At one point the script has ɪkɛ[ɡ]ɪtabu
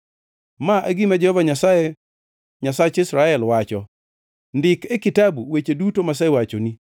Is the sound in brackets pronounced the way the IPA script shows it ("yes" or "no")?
no